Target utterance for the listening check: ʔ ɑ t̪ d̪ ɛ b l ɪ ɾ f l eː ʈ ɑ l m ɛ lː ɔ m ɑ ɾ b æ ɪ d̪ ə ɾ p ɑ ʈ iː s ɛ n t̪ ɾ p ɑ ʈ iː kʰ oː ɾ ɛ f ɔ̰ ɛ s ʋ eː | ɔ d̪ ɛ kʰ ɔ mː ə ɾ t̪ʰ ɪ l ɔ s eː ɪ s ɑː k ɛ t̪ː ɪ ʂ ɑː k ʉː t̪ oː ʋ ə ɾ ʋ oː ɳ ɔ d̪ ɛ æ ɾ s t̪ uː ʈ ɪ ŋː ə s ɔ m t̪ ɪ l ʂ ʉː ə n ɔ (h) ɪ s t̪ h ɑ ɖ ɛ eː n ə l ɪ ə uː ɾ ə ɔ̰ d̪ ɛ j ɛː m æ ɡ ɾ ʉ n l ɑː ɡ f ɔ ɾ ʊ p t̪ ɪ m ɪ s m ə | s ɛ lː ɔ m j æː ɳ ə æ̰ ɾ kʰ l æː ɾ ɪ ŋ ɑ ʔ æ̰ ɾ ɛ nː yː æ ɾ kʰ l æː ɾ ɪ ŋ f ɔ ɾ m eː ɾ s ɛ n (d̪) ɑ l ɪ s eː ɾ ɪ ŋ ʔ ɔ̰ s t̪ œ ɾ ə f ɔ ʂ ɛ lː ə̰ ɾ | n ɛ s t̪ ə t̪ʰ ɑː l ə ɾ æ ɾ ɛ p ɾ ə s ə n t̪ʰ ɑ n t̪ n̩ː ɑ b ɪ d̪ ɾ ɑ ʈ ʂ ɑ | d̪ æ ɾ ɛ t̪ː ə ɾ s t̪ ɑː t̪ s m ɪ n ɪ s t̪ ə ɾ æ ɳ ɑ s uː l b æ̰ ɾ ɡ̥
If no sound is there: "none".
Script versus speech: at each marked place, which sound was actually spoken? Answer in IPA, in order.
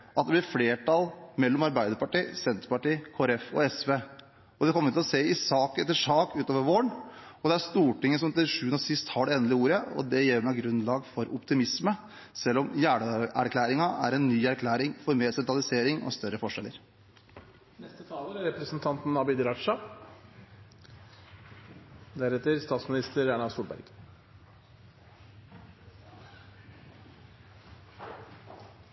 s, t̪

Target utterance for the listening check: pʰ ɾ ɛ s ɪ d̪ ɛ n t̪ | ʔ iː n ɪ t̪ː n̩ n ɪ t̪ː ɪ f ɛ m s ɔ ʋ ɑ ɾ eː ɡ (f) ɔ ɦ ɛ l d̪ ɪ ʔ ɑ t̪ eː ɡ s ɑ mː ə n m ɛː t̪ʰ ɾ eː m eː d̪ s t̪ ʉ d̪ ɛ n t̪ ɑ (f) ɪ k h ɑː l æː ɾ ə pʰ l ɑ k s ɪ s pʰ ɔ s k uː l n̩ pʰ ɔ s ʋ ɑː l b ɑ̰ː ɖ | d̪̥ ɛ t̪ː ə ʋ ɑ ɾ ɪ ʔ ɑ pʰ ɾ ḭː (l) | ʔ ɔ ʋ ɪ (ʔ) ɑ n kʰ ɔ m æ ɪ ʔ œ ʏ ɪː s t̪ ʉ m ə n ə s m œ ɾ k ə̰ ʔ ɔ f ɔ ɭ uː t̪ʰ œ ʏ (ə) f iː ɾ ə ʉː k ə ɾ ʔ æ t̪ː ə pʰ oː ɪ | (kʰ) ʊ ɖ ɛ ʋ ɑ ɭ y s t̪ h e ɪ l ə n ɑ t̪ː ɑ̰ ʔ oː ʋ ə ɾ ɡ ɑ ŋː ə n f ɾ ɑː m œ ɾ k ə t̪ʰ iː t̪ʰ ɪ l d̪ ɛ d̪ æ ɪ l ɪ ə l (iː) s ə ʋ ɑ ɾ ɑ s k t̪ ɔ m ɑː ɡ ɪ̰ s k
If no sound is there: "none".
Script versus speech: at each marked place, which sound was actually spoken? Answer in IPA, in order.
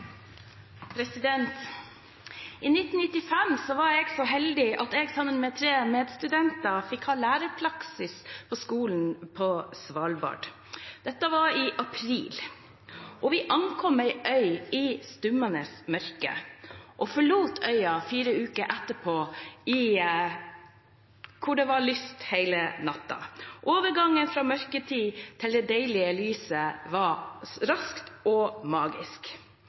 s, f, l, ʔ, ɑ, kʰ, yː

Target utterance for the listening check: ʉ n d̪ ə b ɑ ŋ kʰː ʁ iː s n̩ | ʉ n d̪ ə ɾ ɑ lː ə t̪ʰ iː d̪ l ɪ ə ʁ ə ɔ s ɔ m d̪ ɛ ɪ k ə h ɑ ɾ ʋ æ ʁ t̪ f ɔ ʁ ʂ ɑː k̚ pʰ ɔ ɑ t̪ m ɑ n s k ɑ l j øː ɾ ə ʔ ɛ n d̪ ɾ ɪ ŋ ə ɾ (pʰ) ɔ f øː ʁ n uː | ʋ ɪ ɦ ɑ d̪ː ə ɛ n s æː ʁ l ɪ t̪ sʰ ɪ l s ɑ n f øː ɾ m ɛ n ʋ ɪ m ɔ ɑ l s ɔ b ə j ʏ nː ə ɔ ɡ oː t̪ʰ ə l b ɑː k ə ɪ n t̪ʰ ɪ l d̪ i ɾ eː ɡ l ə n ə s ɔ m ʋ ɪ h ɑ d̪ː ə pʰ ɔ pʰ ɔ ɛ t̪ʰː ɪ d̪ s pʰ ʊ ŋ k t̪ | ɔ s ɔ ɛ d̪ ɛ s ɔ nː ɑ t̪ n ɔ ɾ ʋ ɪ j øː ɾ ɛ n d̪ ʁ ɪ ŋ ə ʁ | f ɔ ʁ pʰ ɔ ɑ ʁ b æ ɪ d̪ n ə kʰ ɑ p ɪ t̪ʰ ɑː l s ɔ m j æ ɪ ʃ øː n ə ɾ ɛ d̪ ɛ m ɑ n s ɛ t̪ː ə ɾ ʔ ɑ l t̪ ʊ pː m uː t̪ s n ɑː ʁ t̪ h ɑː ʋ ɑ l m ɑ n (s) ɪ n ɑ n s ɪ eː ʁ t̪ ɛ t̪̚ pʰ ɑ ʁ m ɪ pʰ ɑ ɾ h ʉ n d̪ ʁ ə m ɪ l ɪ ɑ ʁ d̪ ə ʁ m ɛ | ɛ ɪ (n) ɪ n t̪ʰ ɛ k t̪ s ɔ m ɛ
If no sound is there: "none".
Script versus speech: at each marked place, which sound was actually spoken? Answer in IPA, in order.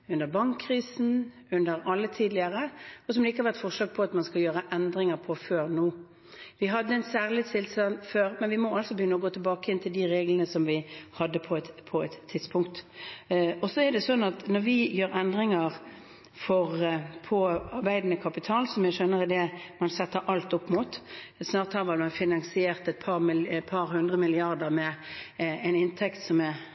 pʰ, f, n

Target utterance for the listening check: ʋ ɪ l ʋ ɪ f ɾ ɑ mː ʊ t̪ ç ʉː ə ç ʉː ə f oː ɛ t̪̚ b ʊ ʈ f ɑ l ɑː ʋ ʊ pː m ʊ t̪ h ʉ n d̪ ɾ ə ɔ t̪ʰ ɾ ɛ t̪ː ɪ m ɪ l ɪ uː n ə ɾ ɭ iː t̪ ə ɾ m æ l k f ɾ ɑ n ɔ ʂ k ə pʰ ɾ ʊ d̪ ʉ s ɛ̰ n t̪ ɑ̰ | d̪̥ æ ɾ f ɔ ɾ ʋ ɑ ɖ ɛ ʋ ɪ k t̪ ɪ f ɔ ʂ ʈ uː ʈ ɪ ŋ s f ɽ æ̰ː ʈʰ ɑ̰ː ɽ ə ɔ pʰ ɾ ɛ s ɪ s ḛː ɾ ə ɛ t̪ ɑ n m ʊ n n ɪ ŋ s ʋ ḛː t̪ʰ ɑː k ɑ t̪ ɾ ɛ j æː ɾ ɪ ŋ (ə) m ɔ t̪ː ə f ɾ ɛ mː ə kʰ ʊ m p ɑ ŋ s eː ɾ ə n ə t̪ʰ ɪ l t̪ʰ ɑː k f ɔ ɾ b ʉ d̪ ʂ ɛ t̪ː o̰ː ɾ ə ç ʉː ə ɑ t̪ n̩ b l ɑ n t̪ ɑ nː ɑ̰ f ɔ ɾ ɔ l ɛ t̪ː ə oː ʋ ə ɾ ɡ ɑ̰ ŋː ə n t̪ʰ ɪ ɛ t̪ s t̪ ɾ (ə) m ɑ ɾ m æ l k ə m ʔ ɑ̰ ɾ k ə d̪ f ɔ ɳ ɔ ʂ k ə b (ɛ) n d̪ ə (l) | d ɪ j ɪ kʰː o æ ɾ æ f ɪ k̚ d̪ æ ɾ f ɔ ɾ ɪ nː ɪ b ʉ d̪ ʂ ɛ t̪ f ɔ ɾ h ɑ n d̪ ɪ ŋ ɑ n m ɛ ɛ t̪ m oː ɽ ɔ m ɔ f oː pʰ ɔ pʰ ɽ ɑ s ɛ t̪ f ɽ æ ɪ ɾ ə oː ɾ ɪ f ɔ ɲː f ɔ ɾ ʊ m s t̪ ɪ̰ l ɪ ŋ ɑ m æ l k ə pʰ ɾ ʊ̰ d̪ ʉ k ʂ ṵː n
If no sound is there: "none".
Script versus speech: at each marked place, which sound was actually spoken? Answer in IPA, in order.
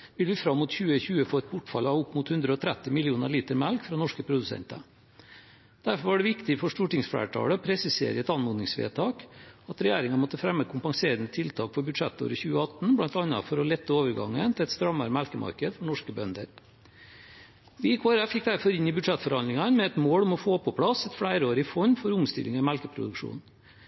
ɑ, ɑ, œ, ɾ

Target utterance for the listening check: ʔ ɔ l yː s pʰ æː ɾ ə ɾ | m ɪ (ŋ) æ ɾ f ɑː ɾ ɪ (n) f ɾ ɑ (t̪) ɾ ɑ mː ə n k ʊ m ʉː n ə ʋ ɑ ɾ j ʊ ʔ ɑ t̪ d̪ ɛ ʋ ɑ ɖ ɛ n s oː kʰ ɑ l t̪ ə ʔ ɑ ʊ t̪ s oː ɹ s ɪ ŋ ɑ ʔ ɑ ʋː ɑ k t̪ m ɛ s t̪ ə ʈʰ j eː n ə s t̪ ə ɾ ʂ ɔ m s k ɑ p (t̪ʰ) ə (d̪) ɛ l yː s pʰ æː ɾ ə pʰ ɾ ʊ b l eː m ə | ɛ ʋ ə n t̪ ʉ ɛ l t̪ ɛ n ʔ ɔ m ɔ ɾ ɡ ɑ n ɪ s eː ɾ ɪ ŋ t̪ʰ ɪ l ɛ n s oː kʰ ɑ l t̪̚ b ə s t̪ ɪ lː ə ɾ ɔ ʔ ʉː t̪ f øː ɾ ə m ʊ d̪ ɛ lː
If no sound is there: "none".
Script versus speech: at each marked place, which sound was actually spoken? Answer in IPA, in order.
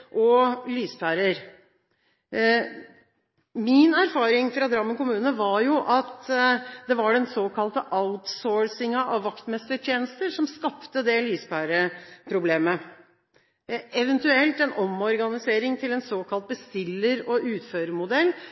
n, ŋ, d̪, t̪, d̪

